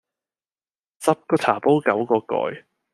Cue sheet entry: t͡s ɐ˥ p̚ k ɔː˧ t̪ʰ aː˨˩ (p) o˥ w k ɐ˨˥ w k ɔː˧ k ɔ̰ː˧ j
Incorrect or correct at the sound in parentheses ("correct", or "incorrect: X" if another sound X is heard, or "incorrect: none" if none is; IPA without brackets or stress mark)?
correct